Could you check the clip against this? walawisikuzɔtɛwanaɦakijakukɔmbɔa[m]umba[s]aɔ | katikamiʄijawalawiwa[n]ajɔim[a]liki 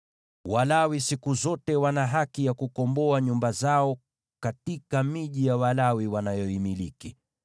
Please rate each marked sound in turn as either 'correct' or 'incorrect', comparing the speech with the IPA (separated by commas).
incorrect, incorrect, correct, incorrect